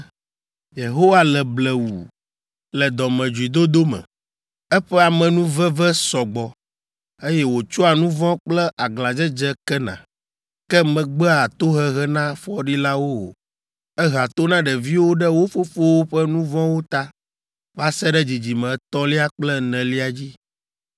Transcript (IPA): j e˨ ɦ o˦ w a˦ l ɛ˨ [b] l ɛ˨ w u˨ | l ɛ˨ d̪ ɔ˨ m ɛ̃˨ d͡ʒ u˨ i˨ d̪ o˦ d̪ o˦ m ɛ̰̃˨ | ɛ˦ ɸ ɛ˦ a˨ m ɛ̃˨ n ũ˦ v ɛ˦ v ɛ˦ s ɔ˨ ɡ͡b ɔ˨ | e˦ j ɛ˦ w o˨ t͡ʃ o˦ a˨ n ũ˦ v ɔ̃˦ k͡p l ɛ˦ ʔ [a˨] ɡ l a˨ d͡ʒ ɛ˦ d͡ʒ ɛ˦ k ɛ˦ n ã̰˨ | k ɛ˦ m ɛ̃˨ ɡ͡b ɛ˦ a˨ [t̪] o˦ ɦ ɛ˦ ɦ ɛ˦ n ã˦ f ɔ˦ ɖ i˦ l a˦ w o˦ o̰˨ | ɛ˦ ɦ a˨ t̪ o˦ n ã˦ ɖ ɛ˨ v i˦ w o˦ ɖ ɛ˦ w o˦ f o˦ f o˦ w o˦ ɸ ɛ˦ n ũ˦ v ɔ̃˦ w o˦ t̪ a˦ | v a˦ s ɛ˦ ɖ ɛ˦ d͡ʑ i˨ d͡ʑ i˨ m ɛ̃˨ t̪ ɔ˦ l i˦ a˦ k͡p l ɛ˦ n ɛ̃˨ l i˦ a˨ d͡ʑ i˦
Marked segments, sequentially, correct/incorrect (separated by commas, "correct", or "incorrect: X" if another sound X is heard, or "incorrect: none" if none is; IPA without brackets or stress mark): correct, correct, correct